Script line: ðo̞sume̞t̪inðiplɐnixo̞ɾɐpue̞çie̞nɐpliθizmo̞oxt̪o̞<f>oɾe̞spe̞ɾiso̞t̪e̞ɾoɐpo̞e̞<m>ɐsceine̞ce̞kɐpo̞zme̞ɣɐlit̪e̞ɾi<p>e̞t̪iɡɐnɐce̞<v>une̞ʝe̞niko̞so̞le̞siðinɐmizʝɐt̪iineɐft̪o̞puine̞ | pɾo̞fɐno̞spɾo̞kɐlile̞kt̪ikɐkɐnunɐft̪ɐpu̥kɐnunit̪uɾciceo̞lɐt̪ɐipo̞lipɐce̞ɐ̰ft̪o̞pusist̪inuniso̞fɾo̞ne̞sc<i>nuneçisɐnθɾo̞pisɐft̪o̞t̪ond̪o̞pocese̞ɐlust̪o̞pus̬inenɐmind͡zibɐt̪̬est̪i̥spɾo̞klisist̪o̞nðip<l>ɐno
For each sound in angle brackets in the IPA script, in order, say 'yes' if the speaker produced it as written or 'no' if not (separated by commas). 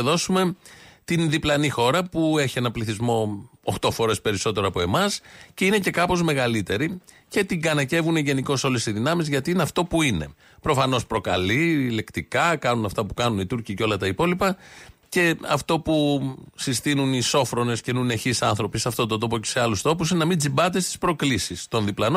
yes, yes, no, yes, no, yes